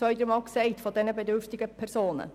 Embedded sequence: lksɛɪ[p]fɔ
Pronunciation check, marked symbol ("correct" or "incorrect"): incorrect